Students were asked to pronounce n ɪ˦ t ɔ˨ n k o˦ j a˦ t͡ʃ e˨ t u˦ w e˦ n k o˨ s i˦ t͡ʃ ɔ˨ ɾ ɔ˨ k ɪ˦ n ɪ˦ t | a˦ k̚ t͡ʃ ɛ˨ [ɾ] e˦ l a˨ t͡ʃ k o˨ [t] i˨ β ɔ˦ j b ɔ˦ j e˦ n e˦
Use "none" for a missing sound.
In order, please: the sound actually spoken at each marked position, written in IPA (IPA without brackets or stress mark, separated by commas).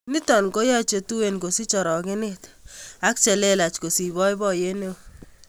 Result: l, s